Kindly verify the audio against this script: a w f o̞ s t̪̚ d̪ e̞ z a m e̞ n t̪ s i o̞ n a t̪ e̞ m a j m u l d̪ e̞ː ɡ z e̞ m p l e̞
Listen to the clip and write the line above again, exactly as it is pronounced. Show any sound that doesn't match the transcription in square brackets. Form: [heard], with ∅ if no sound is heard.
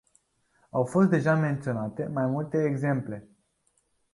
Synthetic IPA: a w f o̞ s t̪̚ d̪ e̞ [ʒ] a m e̞ n t̪ s i o̞ n a t̪ e̞ m a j m u l [t̪] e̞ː ɡ z e̞ m p l e̞